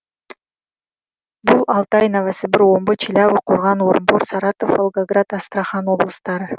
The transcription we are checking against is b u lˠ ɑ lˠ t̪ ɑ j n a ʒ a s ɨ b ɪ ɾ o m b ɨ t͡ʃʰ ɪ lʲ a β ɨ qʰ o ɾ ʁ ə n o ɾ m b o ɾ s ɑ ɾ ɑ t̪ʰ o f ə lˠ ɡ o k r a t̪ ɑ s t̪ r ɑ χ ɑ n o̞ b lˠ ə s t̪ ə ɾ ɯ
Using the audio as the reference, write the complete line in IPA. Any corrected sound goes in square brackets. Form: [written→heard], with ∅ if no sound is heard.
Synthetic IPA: b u lˠ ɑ lˠ t̪ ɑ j n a [ʒ→v] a s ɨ b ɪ ɾ o m b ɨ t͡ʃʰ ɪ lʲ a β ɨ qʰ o ɾ ʁ [ə→ɑ] n o ɾ m b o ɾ s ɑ ɾ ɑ [t̪ʰ→t̪] o f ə lˠ ɡ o [k→ɡ] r a t̪ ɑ s t̪ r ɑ χ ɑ n o̞ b lˠ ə s t̪ [ə→ɑ] ɾ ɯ